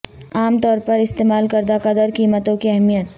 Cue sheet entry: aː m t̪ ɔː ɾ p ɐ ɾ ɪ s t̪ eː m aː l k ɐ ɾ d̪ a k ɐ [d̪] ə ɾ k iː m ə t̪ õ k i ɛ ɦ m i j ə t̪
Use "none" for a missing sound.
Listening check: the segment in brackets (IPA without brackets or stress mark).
d̪